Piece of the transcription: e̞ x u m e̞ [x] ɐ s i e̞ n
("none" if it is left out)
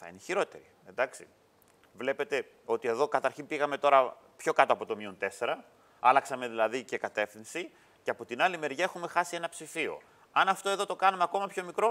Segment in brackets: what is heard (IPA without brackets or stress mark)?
x